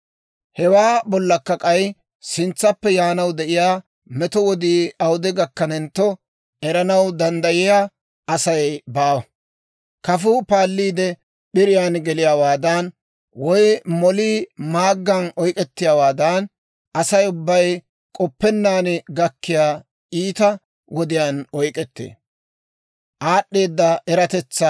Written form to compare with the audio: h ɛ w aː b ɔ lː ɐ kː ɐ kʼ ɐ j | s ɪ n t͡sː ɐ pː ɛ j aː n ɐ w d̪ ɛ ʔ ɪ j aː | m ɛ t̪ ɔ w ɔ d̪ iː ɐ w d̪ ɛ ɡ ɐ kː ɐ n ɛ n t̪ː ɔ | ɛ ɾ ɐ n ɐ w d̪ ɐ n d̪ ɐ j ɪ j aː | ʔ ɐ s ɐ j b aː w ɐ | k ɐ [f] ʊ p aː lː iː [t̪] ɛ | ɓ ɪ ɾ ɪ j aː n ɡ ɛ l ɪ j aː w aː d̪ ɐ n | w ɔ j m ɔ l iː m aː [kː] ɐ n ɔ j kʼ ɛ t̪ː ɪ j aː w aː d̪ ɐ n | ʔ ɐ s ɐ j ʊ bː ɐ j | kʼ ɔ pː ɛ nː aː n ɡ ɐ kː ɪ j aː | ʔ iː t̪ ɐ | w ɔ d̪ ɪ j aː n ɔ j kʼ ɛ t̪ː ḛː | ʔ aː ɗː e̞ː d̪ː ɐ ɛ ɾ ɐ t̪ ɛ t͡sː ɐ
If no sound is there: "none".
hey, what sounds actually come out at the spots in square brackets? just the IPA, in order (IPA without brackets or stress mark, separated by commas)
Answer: f, d̪, ɡː